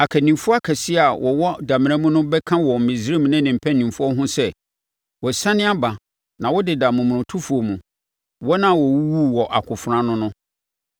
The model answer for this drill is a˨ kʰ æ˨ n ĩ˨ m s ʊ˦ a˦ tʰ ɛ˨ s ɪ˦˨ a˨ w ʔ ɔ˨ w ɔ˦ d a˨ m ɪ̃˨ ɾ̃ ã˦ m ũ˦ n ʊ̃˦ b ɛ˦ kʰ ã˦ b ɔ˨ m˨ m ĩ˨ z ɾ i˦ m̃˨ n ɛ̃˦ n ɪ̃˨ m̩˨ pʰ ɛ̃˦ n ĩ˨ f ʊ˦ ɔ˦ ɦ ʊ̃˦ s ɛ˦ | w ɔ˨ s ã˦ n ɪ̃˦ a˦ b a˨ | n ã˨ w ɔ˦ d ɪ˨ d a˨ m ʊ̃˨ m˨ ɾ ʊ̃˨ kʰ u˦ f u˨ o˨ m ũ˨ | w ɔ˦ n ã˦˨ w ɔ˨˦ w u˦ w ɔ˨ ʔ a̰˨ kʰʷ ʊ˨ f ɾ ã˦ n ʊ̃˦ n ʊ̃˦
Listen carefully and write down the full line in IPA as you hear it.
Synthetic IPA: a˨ kʰ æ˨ n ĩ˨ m f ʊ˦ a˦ kʰ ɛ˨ s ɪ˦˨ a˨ w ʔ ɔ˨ w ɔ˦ d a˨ m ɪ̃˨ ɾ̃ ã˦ m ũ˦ n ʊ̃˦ b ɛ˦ kʰ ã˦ w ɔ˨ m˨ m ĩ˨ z ɾ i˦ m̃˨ n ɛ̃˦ n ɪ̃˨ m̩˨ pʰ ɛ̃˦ n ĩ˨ f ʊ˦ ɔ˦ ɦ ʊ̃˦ s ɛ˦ | w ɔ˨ s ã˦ n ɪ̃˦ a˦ b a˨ | n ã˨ w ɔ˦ d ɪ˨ d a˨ m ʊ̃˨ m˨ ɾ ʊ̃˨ tʰ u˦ f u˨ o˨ m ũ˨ | w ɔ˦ n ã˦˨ w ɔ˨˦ w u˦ w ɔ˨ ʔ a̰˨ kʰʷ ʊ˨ f ɾ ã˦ n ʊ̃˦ n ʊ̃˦